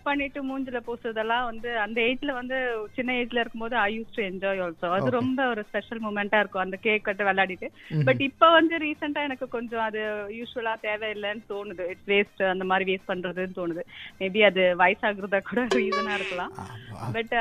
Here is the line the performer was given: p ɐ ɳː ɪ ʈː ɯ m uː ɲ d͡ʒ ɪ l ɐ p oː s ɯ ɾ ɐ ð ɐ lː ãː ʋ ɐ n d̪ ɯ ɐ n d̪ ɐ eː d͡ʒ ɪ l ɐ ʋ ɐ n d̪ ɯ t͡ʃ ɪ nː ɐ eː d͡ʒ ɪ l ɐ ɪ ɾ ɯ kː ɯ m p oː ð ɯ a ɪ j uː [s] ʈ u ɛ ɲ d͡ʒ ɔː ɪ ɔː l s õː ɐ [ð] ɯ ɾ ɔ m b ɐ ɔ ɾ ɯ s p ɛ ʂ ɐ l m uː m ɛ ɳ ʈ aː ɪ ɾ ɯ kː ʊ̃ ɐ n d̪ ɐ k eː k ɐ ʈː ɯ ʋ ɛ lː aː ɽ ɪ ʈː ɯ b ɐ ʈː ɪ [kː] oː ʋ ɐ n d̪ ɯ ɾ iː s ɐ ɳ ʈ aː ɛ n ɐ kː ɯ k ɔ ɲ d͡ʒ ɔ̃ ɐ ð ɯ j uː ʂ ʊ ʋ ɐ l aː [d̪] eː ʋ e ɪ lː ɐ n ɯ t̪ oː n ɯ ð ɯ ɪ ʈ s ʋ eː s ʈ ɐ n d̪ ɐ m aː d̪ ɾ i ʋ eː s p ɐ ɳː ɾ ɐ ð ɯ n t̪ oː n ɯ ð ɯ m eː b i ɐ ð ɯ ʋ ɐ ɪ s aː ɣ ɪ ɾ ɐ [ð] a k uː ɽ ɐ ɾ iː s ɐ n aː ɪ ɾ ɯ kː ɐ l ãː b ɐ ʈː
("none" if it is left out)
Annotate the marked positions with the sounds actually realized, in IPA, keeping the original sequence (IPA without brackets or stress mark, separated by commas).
s, ð, pː, t̪, ð